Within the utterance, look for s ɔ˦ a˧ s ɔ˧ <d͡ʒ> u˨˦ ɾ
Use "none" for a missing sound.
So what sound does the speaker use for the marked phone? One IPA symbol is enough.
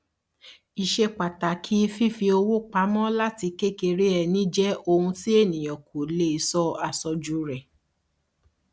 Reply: d͡ʒ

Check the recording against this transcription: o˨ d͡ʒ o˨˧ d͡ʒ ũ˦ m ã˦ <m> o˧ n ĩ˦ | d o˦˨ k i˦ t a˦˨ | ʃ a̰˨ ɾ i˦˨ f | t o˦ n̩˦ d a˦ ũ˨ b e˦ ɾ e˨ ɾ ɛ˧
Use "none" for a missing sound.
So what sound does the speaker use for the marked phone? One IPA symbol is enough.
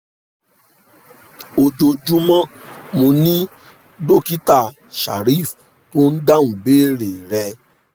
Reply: m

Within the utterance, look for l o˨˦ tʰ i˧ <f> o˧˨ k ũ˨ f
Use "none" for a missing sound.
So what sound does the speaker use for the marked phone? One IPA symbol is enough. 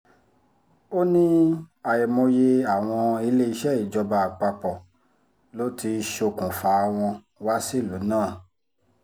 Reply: ʃ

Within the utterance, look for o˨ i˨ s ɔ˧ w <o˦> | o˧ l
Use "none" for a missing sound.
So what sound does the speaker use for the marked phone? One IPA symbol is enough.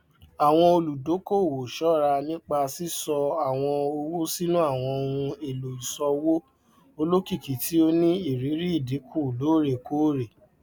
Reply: o˦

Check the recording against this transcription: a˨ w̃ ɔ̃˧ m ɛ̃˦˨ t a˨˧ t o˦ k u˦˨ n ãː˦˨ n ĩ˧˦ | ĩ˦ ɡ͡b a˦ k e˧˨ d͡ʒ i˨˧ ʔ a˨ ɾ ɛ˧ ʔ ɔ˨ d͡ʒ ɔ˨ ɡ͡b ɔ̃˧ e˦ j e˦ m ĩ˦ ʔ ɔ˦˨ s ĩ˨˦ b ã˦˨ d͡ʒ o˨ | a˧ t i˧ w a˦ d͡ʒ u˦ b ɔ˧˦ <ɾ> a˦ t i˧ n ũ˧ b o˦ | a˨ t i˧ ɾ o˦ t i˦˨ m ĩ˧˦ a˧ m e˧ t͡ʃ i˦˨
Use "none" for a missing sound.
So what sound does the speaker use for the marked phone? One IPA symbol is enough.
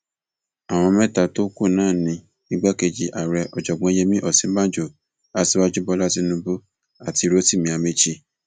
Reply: l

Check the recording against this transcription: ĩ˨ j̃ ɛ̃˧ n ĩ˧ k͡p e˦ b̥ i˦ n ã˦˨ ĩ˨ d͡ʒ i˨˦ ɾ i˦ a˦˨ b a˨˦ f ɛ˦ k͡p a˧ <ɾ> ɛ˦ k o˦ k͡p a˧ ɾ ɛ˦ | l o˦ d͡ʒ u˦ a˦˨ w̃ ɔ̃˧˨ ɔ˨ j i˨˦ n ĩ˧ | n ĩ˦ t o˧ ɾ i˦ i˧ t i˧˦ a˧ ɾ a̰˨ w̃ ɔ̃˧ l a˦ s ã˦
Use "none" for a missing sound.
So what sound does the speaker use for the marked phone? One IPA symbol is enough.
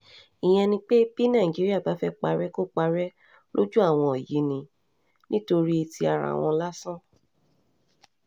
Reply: ɾ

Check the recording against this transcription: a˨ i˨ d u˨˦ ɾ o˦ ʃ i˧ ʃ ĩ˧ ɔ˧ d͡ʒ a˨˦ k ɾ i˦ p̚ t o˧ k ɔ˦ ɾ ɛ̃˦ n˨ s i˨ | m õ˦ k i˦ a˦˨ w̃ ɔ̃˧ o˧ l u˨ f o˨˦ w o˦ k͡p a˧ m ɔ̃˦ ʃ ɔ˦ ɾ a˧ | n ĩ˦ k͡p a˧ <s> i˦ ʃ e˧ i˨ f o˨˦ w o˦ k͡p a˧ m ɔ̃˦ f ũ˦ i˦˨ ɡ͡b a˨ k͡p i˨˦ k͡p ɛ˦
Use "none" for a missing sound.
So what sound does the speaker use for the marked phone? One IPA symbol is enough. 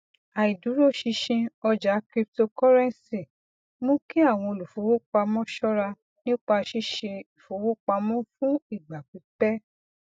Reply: ʃ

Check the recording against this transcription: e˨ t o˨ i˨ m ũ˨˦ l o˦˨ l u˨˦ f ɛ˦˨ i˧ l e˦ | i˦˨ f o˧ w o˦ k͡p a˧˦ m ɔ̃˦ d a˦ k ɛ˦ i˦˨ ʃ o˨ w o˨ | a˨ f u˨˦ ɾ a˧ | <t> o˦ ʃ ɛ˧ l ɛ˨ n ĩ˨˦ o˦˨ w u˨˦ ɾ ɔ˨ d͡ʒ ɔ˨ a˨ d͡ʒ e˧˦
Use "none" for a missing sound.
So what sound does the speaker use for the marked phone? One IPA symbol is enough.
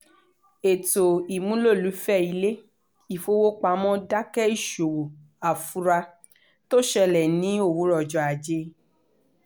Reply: t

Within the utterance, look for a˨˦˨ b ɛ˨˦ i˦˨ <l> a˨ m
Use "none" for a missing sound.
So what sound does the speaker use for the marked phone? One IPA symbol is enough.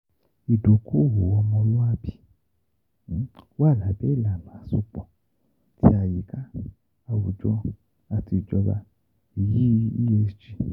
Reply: l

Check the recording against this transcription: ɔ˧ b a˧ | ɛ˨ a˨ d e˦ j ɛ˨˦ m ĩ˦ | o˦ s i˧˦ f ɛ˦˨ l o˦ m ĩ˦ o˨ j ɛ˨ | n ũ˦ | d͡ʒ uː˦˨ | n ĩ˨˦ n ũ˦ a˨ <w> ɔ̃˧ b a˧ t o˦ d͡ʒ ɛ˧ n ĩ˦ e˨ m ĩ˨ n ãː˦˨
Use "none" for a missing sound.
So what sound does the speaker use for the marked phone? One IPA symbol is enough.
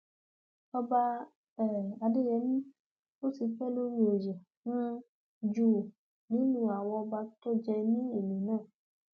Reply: w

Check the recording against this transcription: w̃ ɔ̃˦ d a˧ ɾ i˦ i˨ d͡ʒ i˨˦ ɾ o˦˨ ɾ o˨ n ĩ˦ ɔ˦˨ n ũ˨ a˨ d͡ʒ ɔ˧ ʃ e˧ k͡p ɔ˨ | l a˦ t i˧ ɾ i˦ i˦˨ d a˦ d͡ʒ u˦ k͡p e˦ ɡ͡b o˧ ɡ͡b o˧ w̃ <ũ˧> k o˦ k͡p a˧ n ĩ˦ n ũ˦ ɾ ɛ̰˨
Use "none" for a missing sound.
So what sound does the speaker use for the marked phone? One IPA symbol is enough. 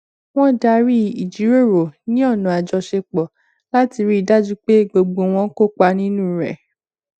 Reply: ɔ̃˧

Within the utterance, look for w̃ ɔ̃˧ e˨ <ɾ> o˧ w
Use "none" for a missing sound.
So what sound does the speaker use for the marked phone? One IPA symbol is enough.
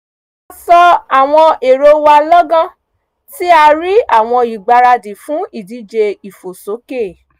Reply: ɾ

